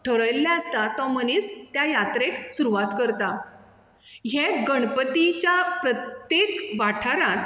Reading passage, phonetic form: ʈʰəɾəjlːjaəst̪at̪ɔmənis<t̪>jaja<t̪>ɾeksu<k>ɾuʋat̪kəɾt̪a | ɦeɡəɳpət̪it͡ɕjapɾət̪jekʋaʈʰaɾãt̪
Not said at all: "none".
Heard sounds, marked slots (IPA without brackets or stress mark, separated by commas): t̪, t̪, none